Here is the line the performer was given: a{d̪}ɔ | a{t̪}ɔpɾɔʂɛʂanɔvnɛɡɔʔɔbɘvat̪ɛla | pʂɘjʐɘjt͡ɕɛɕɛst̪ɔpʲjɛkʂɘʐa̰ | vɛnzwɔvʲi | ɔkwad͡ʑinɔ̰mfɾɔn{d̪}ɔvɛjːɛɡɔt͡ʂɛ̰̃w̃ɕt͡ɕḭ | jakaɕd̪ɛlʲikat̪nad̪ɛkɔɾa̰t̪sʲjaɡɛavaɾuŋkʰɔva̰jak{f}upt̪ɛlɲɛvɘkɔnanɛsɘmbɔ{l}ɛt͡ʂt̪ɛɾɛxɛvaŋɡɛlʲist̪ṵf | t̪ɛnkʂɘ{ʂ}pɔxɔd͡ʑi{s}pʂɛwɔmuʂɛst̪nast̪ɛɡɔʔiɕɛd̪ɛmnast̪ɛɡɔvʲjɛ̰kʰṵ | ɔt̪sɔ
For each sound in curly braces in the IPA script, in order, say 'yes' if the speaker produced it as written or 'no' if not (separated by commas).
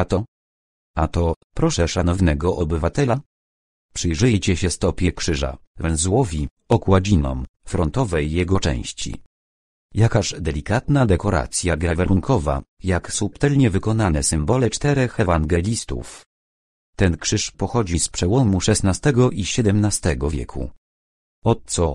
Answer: no, yes, no, no, yes, yes, yes